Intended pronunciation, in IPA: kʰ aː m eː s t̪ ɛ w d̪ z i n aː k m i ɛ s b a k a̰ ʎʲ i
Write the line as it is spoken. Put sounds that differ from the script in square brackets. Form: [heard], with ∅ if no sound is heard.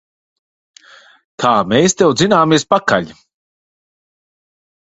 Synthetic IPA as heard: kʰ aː m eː s t̪ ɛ w d̪ z i n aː [∅] m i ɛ s [p] a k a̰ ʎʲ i